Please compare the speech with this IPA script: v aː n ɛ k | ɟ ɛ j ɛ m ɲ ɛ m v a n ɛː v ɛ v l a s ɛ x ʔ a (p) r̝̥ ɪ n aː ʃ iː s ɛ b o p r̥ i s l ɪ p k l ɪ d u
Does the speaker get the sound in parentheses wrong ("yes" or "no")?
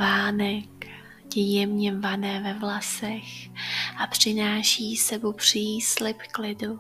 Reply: no